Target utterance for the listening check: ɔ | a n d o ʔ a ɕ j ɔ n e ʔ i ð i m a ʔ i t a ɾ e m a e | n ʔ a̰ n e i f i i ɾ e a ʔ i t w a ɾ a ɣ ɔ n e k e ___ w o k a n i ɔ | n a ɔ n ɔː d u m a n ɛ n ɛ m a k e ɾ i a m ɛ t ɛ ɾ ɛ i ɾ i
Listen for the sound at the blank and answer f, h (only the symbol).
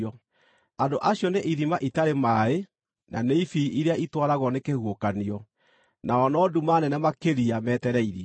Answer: h